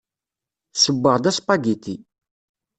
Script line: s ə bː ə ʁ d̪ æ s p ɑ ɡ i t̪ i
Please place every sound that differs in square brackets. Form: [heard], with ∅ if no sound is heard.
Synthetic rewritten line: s ə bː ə ʁ d̪ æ s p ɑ ɡ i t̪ i